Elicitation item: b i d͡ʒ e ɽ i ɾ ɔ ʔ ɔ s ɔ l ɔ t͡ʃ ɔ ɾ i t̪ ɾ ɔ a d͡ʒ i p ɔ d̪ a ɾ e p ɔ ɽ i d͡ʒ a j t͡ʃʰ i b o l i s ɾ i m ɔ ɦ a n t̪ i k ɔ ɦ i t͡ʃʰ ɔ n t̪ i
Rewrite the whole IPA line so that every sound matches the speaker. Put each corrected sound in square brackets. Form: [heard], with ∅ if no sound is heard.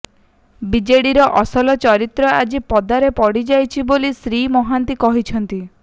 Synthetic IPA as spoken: b i d͡ʒ e ɽ i ɾ ɔ ʔ ɔ s ɔ l ɔ t͡ʃ ɔ ɾ i t̪ ɾ ɔ a d͡ʒ i p ɔ d̪ a ɾ e p ɔ ɽ i d͡ʒ a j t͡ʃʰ i b o l i s ɾ i m ɔ ɦ a n t̪ i k ɔ ɦ i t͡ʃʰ ɔ n t̪ i